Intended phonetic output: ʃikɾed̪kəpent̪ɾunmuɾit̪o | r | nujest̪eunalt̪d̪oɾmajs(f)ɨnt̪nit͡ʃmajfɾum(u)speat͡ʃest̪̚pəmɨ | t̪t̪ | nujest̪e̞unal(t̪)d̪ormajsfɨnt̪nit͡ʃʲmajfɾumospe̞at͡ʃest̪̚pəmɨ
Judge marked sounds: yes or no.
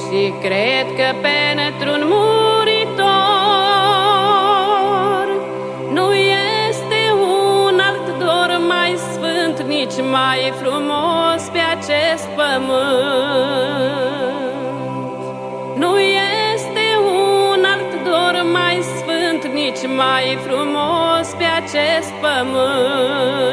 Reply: yes, no, yes

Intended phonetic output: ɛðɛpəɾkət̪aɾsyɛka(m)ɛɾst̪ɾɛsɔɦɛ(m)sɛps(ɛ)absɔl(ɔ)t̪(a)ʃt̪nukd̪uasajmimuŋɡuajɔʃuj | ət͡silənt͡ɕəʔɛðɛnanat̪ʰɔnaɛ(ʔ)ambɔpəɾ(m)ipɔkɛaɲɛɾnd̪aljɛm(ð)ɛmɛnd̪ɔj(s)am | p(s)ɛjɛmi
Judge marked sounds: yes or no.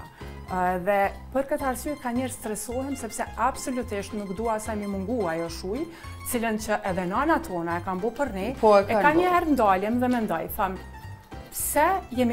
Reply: no, yes, yes, no, no, no, no, yes, no, yes

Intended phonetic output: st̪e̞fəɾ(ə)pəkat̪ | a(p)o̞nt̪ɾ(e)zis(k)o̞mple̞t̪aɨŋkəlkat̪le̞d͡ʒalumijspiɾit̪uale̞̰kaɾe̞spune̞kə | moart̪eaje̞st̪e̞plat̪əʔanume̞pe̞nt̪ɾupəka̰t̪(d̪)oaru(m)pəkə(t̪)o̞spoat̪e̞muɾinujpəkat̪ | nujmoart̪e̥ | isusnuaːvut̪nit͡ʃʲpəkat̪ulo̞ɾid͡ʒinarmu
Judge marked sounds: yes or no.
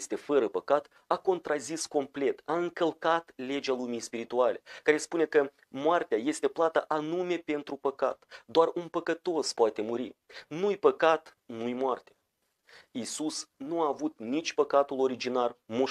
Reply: yes, no, no, yes, yes, no, yes

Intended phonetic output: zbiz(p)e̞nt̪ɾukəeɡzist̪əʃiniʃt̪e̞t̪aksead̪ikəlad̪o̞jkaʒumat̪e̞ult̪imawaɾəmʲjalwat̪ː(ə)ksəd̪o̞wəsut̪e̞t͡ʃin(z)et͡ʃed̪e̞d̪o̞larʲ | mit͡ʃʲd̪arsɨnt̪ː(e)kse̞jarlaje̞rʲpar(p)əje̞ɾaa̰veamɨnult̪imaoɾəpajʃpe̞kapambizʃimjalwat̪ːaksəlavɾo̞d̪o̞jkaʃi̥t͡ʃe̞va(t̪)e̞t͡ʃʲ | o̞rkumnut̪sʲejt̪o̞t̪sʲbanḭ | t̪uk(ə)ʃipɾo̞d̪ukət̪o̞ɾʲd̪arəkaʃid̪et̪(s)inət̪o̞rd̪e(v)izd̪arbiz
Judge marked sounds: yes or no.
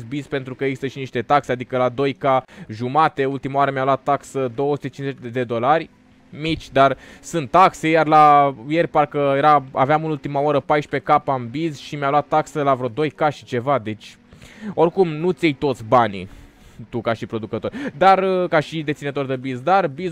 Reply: yes, no, yes, no, no, no, no, yes, no

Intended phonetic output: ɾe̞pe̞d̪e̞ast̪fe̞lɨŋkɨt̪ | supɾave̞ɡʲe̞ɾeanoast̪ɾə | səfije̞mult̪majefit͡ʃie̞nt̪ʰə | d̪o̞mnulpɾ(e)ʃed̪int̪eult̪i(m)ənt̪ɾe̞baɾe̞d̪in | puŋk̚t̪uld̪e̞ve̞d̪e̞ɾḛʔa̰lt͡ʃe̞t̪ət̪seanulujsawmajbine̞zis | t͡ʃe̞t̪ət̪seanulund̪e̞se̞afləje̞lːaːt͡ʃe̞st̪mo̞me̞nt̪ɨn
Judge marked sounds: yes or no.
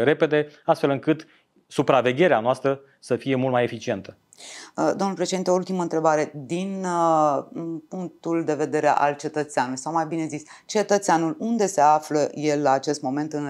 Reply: yes, yes

